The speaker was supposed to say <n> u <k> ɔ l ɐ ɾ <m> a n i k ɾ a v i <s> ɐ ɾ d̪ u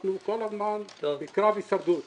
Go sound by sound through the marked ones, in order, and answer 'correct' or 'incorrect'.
correct, correct, correct, correct

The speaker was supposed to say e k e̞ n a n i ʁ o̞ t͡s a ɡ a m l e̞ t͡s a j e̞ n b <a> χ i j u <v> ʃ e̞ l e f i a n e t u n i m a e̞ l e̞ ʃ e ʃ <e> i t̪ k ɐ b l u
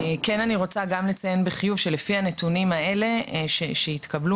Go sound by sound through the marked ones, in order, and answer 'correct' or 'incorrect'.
incorrect: e, correct, correct

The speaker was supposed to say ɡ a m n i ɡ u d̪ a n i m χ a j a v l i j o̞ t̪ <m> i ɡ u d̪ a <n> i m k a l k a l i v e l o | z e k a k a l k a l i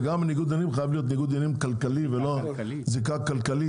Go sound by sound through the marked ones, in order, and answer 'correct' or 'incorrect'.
incorrect: n, correct

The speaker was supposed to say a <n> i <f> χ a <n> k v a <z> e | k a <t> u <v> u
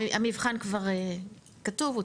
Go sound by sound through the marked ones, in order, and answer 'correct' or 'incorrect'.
incorrect: m, incorrect: v, correct, incorrect: ʁ, correct, correct

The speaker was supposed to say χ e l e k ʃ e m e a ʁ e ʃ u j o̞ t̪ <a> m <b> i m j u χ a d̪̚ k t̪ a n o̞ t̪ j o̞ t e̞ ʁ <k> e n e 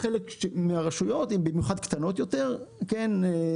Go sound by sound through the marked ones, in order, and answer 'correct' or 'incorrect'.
incorrect: i, correct, correct

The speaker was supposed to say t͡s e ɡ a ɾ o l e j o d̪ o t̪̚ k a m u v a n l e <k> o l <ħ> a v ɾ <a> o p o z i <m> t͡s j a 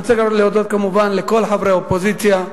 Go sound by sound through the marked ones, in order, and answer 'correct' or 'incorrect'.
correct, correct, incorrect: e, incorrect: none

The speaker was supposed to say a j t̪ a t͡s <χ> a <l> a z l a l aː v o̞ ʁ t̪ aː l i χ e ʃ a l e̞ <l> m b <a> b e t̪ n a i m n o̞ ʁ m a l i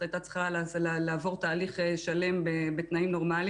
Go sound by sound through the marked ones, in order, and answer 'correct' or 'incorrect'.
correct, correct, incorrect: none, incorrect: e

